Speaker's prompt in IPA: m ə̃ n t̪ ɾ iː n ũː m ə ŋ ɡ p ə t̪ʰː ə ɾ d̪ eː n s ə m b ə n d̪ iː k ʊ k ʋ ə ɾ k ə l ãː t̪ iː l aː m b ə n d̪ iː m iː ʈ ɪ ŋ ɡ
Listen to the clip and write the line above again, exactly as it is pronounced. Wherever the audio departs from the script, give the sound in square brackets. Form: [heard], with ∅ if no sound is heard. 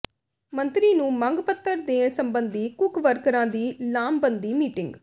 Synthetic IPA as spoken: m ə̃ n t̪ ɾ iː n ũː m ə ŋ ɡ p ə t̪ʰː ə ɾ d̪ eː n s ə m b ə n d̪ iː k ʊ k ʋ ə ɾ k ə [ɾ] ãː [d̪] iː l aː m b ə n d̪ iː m iː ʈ ɪ ŋ ɡ